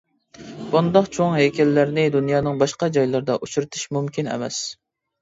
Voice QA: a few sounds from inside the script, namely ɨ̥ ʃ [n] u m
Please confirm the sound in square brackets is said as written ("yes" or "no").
no